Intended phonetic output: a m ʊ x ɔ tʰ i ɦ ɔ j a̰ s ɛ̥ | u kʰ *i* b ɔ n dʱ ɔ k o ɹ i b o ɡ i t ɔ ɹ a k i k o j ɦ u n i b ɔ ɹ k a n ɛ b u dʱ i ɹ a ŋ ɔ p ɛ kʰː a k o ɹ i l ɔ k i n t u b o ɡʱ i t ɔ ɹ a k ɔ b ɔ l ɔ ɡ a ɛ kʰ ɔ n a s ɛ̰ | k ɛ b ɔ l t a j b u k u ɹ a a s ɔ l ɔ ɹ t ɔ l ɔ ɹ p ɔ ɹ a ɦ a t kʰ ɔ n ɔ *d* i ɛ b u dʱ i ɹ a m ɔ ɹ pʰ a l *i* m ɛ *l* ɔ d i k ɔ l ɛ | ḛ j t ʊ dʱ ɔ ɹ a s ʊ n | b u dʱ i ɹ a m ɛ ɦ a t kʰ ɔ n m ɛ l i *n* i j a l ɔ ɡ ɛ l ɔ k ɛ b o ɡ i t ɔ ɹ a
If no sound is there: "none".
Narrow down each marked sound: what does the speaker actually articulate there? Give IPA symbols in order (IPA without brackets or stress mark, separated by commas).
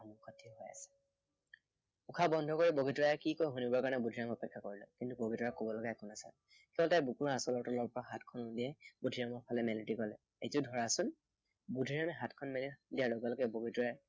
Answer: a, d, ɛ, l, d